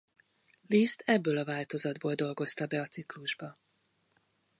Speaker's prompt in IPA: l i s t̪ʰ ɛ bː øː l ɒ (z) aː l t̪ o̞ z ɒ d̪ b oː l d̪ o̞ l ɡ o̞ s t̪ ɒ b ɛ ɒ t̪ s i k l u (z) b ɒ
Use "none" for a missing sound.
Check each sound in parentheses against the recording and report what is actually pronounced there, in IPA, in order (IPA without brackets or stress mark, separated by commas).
v, ʒ